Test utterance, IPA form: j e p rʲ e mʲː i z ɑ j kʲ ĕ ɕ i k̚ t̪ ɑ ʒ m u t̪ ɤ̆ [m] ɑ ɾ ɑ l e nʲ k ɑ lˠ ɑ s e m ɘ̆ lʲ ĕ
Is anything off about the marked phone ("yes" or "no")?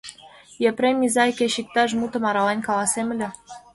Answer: no